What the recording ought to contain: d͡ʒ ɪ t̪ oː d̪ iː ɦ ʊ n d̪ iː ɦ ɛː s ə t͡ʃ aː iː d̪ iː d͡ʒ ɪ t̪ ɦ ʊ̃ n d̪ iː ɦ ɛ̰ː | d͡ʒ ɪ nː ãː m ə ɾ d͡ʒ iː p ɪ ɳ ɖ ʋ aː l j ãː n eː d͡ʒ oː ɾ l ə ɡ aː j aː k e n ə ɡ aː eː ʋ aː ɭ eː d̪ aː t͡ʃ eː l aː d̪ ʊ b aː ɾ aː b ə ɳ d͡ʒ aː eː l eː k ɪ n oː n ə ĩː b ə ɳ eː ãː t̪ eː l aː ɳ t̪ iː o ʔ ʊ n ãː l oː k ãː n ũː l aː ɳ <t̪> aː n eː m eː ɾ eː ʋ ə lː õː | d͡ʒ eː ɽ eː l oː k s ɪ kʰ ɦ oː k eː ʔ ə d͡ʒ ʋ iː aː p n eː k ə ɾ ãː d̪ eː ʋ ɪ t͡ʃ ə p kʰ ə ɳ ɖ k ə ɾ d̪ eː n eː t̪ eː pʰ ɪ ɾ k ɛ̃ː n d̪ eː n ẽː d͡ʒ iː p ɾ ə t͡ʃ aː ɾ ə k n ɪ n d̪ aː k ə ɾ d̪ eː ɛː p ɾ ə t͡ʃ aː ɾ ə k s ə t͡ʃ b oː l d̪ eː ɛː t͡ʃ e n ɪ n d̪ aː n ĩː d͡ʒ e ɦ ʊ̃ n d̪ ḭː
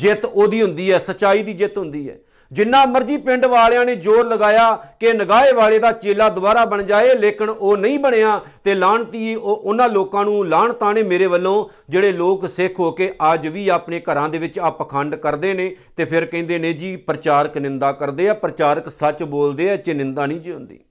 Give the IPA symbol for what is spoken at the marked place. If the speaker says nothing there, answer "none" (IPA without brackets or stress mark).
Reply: t̪